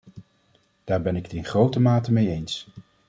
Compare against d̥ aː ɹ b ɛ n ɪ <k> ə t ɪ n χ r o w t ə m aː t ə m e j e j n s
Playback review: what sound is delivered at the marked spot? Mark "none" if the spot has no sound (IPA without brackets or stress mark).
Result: k